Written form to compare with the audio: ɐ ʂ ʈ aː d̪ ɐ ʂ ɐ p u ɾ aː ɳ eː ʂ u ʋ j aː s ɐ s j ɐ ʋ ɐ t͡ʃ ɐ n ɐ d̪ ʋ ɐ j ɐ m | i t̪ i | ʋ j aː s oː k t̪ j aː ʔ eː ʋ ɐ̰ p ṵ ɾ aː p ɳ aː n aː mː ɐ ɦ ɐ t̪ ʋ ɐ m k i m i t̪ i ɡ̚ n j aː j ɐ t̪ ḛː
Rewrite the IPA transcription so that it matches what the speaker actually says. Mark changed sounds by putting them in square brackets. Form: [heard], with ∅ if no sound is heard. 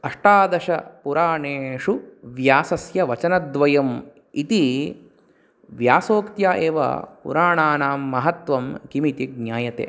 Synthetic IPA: ɐ ʂ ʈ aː d̪ ɐ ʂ ɐ p u ɾ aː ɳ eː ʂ u ʋ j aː s ɐ s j ɐ ʋ ɐ t͡ʃ ɐ n ɐ d̪ ʋ ɐ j ɐ m | i t̪ i | ʋ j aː s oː k t̪ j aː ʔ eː ʋ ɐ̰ p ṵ ɾ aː [∅] ɳ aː n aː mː ɐ ɦ ɐ t̪ ʋ ɐ m k i m i t̪ i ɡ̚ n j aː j ɐ t̪ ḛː